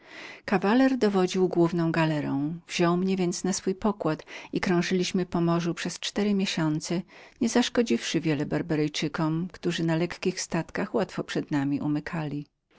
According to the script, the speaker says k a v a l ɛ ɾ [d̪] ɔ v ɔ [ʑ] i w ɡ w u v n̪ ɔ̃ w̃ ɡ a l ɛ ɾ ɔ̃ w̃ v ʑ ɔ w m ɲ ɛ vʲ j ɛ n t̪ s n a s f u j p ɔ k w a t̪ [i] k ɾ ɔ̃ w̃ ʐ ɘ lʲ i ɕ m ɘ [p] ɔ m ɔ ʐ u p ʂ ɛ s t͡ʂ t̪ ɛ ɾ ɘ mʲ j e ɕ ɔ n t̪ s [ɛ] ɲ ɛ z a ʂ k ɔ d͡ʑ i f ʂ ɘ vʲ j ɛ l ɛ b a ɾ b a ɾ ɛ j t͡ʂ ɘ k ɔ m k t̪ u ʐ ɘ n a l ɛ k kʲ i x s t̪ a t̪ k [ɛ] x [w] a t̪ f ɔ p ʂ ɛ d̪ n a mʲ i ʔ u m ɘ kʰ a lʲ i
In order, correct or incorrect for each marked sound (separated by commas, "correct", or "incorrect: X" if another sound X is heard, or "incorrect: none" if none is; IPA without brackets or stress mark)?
correct, incorrect: d͡ʑ, correct, correct, correct, incorrect: a, correct